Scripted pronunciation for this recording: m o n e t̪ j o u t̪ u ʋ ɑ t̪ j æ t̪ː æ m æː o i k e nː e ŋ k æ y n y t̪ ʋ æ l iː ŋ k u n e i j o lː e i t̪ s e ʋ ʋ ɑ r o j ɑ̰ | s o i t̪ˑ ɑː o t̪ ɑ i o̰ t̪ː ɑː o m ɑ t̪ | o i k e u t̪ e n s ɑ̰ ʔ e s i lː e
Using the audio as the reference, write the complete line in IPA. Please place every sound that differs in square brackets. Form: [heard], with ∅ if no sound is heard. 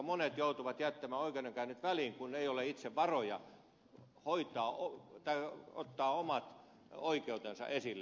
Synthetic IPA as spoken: m o n e t̪ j o u t̪ u ʋ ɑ t̪ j æ t̪ː æ m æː o i k e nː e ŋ k æ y n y t̪ ʋ æ l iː ŋ k u n e i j o [l] e i t̪ s e ʋ ʋ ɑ r o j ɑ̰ | [h] o i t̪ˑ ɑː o t̪ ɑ i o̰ t̪ː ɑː o m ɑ t̪ | o i k e u t̪ e n s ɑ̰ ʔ e s i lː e